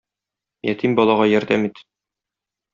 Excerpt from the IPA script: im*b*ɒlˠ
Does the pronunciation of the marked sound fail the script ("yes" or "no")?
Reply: no